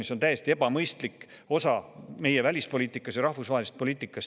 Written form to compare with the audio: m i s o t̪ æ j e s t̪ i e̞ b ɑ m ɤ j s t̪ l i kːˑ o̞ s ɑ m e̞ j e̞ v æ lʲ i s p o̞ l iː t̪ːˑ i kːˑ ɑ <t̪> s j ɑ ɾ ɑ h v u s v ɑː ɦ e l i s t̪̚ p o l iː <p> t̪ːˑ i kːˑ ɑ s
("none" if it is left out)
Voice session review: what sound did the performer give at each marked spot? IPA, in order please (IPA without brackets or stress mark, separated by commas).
none, none